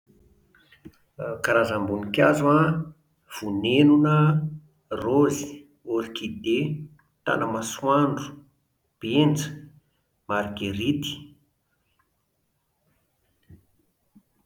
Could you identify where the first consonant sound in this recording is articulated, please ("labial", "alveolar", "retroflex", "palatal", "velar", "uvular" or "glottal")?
velar